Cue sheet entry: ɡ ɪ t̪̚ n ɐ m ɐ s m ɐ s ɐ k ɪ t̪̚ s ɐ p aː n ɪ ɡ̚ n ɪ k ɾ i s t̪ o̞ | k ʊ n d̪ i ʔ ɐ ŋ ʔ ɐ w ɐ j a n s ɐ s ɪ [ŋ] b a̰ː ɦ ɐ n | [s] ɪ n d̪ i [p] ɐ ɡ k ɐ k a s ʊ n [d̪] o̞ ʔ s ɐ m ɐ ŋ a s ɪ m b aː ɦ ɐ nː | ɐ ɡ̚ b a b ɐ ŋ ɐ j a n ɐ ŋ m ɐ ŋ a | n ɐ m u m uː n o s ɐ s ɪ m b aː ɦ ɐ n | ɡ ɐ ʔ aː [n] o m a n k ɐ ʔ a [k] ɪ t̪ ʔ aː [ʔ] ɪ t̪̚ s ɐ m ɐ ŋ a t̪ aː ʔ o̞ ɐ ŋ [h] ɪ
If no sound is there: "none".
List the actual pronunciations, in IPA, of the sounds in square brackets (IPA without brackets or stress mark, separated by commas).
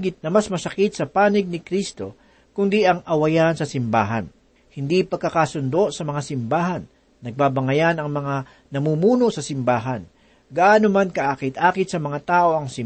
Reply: m, h, p, d̪, n, k, k, s